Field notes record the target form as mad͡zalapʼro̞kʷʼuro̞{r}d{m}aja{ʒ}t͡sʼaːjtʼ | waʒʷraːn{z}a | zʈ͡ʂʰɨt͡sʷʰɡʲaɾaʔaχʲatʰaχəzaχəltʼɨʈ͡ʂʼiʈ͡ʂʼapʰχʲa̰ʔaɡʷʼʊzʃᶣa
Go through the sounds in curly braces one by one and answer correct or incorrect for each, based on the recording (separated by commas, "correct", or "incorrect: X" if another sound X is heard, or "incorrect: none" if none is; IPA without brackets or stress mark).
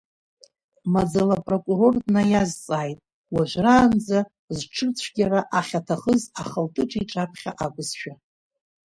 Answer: correct, incorrect: n, incorrect: z, incorrect: d͡z